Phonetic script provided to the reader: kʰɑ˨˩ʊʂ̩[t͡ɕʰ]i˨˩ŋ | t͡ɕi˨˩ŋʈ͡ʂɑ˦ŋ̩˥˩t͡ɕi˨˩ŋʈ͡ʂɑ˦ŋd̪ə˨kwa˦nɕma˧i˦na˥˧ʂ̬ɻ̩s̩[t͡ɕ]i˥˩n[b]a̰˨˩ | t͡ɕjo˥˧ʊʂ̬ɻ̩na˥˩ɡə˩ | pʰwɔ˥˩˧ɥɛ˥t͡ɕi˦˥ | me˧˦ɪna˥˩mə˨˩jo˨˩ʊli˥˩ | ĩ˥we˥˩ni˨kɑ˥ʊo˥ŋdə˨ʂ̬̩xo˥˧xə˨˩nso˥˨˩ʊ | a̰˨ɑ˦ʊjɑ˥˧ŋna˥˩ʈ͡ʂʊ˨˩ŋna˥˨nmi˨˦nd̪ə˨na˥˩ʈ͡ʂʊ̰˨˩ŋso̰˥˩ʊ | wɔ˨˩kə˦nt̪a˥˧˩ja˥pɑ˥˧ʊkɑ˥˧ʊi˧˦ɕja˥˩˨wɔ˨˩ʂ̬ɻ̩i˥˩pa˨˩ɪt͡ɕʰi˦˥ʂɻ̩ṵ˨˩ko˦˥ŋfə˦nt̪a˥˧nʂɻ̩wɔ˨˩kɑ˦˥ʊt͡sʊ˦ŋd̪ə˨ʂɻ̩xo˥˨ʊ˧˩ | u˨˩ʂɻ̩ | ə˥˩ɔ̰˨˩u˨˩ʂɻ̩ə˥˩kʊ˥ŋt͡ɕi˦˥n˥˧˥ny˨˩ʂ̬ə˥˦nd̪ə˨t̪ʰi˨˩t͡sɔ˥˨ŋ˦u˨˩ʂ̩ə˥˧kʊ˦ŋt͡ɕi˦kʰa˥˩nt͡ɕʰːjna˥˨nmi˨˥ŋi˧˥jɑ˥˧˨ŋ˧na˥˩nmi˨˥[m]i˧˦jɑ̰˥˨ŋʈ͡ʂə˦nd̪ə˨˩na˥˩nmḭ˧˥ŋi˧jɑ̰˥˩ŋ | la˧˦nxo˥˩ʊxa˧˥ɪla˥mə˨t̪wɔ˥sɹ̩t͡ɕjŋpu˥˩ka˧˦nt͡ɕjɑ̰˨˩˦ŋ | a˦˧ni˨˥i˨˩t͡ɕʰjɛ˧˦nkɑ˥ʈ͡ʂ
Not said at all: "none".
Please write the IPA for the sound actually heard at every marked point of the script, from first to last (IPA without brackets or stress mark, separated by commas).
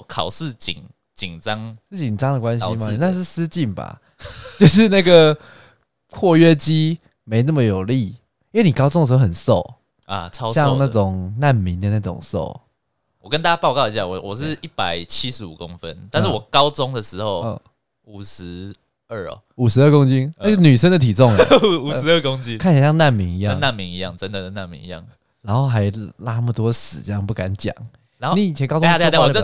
t͡ɕ, t͡ɕ, b, ŋ